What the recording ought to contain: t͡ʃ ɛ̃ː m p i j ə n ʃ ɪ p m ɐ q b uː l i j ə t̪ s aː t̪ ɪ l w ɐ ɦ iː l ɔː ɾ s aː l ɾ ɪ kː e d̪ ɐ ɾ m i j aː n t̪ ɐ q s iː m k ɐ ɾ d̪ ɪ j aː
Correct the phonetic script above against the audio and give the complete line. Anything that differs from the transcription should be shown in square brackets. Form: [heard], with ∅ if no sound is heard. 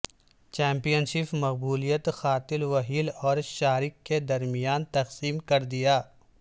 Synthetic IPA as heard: t͡ʃ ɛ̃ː m p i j ə n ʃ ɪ p m ɐ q b uː l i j ə t̪ [x] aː t̪ ɪ l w ɐ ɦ iː l ɔː ɾ [ʃ] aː [∅] ɾ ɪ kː e d̪ ɐ ɾ m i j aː n t̪ ɐ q s iː m k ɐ ɾ d̪ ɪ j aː